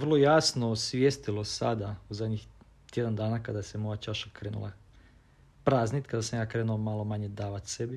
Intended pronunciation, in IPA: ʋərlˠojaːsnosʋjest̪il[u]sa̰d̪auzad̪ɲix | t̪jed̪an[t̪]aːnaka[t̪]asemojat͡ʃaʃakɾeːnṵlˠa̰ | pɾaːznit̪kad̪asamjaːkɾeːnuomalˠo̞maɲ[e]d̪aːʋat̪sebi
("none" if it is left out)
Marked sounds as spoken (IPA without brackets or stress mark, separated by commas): o, d̪, d̪, e